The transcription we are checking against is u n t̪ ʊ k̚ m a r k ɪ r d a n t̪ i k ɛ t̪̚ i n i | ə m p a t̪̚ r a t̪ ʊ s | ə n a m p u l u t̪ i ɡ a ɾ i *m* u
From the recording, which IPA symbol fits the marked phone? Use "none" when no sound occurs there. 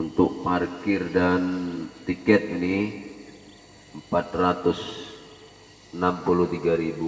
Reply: b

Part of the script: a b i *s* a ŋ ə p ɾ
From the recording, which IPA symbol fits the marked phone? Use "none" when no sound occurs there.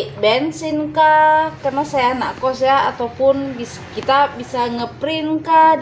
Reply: s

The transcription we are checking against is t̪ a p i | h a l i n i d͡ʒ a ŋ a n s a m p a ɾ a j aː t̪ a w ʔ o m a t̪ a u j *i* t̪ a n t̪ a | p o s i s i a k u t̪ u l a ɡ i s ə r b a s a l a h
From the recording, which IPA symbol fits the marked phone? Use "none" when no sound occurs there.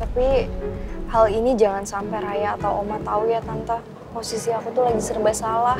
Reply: a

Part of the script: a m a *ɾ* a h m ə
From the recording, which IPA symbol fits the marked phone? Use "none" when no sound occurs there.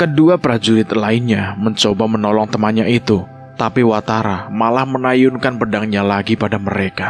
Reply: l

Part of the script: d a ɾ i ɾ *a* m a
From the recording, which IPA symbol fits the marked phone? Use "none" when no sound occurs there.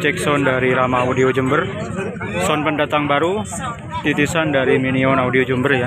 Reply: a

